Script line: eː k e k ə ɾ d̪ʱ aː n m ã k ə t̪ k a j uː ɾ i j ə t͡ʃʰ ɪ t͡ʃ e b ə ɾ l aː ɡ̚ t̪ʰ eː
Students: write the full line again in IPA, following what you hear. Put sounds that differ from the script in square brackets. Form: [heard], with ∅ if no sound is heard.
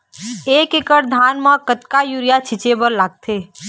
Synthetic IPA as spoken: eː k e k ə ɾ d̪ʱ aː n m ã k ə t̪ k a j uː ɾ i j [a] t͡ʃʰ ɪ t͡ʃ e b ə ɾ l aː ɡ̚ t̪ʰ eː